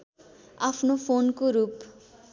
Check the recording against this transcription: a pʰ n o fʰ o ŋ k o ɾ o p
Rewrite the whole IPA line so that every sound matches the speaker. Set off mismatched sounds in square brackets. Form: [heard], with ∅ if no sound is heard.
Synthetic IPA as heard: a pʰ n o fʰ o [n] k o ɾ [u] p